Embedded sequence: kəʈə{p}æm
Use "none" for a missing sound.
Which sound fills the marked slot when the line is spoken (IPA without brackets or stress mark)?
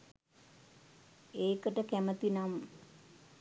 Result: k